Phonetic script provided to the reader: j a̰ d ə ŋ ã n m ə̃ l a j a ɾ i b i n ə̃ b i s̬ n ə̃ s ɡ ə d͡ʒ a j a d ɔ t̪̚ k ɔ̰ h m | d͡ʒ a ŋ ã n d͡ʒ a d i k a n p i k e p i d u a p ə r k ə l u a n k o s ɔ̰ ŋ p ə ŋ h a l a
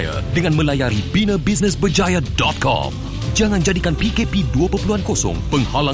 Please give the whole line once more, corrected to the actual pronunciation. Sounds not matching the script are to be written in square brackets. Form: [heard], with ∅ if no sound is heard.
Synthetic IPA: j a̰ d ə ŋ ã n m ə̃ l a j a ɾ i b i n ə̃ b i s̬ n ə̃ s [b] ə d͡ʒ a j a d ɔ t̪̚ k ɔ̰ [∅] m | d͡ʒ a ŋ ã n d͡ʒ a d i k a n p i k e p i d u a p ə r [p] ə l u a n k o s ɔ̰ ŋ p ə ŋ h a l a